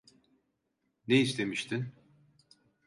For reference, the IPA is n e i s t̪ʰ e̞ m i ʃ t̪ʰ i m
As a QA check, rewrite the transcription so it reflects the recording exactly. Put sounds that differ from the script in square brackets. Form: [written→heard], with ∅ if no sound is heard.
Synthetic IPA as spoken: n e i s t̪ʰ e̞ m i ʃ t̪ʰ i [m→n]